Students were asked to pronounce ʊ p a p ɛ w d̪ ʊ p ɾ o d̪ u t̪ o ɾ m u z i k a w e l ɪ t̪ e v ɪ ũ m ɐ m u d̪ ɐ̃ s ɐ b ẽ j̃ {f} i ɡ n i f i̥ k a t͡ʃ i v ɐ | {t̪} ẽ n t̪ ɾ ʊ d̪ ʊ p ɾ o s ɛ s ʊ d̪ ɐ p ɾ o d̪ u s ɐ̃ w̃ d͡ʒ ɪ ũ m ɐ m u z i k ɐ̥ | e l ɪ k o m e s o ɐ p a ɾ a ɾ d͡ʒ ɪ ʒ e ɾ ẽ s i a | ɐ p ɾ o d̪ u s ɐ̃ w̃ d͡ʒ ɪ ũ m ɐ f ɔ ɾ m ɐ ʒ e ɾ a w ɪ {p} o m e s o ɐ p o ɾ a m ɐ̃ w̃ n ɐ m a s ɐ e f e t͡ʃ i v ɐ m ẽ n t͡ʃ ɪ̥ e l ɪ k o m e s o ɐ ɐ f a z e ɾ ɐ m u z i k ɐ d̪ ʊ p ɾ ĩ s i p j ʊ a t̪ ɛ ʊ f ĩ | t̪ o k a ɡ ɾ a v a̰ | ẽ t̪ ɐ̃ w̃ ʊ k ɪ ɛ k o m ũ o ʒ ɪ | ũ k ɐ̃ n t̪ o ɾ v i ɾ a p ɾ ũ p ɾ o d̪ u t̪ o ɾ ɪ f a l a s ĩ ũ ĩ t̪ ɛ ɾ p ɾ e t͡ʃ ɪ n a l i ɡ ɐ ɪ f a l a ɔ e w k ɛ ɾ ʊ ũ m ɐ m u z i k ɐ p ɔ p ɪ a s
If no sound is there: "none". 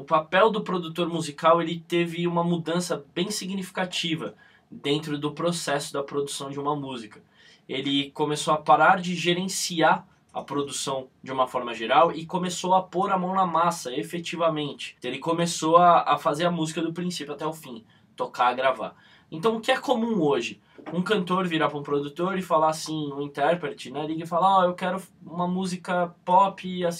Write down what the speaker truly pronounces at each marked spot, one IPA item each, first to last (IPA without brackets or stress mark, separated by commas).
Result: s, d̪, k